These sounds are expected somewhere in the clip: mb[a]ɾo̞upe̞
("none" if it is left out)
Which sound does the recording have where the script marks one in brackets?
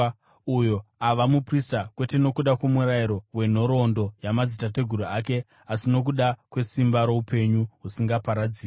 a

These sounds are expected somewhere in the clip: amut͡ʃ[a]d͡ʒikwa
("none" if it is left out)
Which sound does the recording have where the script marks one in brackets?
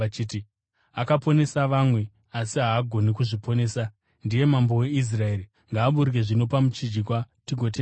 i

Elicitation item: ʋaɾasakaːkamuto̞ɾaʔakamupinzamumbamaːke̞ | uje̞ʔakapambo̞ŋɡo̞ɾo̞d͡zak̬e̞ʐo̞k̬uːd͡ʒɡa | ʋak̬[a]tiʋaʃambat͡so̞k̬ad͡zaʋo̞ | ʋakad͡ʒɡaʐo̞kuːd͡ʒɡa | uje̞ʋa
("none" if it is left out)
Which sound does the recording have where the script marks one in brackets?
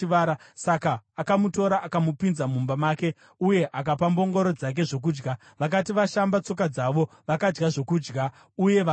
a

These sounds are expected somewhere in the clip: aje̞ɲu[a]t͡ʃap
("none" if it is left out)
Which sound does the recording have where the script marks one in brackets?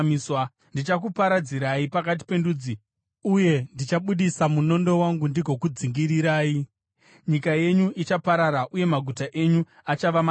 i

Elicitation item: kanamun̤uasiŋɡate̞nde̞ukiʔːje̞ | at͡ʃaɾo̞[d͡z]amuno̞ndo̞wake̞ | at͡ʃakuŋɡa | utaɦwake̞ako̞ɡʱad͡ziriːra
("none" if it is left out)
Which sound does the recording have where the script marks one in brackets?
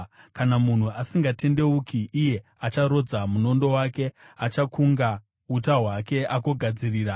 d͡z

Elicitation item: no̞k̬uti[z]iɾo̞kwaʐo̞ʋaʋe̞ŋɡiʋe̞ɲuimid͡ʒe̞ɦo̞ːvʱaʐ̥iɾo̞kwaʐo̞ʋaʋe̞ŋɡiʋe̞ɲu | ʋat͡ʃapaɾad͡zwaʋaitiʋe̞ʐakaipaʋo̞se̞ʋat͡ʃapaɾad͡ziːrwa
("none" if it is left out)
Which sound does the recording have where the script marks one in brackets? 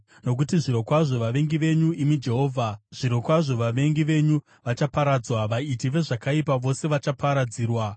ʐ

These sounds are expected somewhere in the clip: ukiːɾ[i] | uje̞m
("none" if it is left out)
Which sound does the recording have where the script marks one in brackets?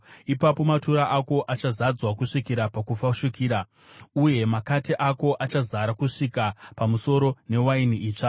a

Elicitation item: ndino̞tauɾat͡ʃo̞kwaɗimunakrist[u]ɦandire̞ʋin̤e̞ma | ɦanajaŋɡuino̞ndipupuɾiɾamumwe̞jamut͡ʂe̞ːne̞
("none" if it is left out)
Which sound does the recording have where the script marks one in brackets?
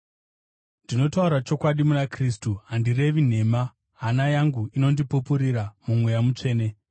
u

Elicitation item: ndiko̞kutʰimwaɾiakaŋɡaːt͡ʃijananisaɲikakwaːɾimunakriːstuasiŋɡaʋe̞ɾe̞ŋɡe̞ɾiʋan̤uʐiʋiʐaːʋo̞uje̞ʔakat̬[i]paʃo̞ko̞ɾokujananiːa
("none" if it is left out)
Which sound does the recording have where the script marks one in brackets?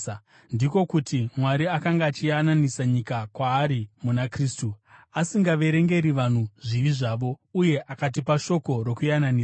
i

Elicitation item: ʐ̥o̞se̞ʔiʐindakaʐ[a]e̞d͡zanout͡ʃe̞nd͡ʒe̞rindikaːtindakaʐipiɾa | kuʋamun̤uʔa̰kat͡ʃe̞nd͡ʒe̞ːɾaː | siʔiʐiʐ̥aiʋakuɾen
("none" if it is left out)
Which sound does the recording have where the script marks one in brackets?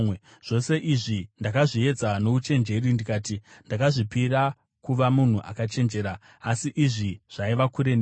i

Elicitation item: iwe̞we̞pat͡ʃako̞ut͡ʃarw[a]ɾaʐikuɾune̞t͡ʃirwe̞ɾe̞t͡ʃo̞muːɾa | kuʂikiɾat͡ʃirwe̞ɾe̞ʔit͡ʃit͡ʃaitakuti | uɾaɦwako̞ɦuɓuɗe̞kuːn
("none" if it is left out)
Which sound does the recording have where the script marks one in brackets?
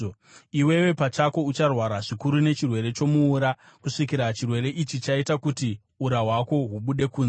a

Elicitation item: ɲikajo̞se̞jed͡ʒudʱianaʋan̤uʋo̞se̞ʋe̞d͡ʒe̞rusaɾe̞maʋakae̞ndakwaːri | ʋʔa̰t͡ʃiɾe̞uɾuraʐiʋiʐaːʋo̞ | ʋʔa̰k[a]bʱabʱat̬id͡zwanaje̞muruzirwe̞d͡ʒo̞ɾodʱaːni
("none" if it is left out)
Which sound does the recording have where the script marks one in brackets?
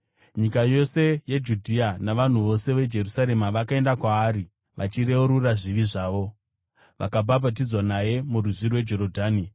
a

